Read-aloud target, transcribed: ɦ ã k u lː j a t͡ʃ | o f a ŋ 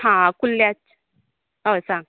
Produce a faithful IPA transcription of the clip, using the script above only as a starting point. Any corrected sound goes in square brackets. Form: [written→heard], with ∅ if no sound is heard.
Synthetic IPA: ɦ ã k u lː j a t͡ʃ | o [f→s] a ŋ

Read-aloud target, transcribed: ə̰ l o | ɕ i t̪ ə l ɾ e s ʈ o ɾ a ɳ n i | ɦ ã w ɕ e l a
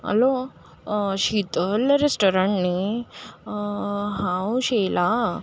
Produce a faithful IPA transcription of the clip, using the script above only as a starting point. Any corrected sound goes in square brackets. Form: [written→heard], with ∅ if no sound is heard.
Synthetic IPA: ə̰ l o | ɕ i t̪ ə l ɾ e s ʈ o ɾ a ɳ n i | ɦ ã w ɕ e l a

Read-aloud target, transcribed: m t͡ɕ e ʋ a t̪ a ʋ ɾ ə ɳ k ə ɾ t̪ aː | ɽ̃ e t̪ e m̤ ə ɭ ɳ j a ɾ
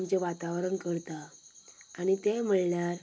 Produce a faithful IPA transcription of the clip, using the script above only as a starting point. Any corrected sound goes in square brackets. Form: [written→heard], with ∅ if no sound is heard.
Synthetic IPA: m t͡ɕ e ʋ a t̪ a ʋ ɾ ə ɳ k ə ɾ t̪ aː | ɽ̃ [e→i] t̪ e m̤ ə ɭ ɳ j a ɾ

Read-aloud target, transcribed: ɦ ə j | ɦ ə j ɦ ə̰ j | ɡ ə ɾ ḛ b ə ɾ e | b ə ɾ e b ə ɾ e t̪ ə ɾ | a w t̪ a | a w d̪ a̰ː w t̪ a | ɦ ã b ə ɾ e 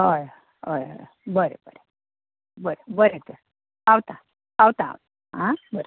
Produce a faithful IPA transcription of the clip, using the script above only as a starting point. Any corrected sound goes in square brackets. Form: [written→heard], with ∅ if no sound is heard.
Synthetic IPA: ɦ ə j | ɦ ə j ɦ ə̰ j | [ɡ→b] ə ɾ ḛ b ə ɾ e | b ə ɾ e b ə ɾ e t̪ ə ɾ | a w t̪ a | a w [d̪→t̪] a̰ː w t̪ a | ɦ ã b ə ɾ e

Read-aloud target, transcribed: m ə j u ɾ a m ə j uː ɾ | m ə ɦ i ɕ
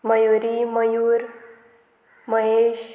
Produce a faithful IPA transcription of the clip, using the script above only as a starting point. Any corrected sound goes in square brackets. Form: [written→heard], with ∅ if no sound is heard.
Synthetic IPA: m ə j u ɾ [a→i] m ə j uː ɾ | m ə ɦ [i→e] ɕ

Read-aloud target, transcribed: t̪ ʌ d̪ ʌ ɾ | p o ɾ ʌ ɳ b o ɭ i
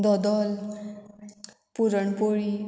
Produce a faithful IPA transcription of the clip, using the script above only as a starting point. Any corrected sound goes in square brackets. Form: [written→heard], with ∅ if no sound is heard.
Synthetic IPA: [t̪→d̪] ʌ d̪ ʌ [ɾ→l] | p [o→u] ɾ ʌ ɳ [b→p] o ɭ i

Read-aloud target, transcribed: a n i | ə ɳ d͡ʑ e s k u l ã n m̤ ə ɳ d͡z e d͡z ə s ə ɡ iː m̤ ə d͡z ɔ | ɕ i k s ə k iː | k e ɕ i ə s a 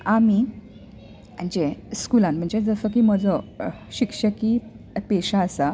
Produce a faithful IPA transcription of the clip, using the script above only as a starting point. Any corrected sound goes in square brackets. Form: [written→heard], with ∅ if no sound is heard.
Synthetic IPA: a [n→m] i | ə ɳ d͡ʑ e s k u l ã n m̤ ə ɳ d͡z e d͡z ə s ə [ɡ→k] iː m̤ ə d͡z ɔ | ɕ i k [s→ʂ] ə k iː | [k→p] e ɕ [i→a] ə s a

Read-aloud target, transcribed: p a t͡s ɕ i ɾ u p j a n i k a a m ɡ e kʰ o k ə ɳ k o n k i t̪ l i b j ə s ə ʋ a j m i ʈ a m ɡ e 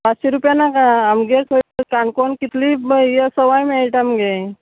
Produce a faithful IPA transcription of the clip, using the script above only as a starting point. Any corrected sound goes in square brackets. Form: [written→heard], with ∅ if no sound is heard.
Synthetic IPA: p a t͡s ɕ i ɾ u p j a n [i→a] k a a m ɡ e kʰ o k [ə→a] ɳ k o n k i t̪ l i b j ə s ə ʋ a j m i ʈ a m ɡ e

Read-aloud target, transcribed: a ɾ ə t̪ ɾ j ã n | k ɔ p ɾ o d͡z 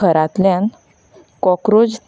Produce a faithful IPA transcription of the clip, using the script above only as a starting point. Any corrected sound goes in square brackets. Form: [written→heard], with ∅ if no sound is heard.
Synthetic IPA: [a→ə] ɾ [ə→a] t̪ [ɾ→l] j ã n | k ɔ [p→k] ɾ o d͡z

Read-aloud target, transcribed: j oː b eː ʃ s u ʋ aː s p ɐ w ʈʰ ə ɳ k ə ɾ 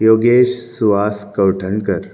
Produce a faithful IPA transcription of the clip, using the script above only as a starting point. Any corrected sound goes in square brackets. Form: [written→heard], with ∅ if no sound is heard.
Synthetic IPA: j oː [b→ɡ] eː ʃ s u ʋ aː s [p→k] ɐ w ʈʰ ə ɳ k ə ɾ

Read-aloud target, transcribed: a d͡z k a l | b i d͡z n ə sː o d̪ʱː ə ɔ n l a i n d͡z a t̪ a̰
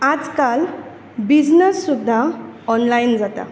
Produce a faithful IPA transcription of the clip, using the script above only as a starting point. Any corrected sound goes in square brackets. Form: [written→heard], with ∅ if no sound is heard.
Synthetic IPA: a d͡z k a l | b i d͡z n ə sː [o→u] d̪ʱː [ə→a] ɔ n l a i n d͡z a t̪ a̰

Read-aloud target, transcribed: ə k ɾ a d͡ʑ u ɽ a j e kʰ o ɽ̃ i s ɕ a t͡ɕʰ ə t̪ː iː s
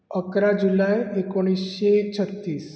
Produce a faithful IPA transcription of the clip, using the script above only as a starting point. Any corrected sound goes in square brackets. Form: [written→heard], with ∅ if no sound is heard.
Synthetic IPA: ə k ɾ a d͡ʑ u [ɽ→l] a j e [kʰ→k] o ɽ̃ i s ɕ [a→e] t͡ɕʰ ə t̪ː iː s

